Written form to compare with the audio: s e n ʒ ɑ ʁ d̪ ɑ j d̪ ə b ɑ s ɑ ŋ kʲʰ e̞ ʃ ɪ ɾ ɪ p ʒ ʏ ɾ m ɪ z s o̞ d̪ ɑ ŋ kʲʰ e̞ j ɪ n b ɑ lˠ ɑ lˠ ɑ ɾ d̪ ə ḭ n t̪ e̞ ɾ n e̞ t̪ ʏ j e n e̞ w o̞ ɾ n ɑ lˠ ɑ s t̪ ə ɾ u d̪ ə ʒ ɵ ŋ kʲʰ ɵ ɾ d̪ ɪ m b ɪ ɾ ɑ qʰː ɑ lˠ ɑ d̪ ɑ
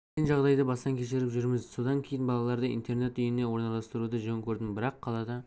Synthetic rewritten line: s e n ʒ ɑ ʁ d̪ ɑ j d̪ ə b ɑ s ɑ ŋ kʲʰ e̞ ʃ ɪ ɾ ɪ p ʒ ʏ ɾ m ɪ z s o̞ d̪ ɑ ŋ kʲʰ e̞ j ɪ n b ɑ lˠ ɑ lˠ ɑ ɾ d̪ ə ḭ n t̪ e̞ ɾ n e̞ t̪ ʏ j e n e̞ w o̞ ɾ n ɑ lˠ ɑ s t̪ ə ɾ u d̪ ə ʒ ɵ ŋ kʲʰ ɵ ɾ d̪ ɪ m b ɪ ɾ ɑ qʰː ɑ lˠ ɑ d̪ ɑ